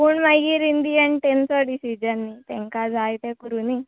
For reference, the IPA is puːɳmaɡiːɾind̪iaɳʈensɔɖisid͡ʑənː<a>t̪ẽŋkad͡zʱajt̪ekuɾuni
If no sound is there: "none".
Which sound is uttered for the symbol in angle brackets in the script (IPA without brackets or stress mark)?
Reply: i